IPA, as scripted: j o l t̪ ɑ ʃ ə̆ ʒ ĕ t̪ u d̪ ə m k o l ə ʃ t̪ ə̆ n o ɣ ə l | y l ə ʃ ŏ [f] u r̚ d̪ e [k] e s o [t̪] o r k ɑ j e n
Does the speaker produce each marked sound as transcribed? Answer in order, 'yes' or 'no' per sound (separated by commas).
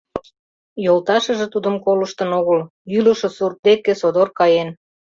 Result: no, yes, no